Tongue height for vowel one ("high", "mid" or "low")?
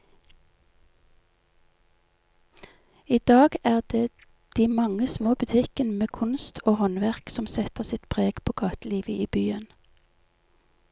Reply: high